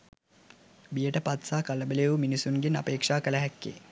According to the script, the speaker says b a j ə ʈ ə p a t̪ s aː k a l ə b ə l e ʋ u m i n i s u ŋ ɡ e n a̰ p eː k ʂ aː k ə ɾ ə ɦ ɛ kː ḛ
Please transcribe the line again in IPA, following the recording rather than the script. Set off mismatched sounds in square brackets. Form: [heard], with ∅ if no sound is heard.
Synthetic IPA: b [i] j ə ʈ ə p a t̪ s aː k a l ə b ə l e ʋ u m i n i s u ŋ ɡ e n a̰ p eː k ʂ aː k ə [l] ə ɦ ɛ kː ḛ